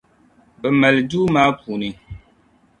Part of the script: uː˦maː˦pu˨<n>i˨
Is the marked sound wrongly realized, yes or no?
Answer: no